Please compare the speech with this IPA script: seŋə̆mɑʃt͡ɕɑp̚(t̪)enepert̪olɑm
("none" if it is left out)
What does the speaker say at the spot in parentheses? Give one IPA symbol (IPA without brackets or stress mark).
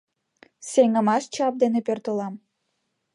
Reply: d̪